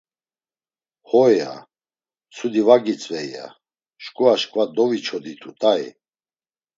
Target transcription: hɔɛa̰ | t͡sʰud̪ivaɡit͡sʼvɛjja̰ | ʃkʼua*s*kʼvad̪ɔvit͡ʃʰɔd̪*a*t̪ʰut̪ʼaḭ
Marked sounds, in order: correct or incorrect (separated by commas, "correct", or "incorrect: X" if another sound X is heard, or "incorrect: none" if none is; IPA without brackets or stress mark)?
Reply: incorrect: ʃ, incorrect: i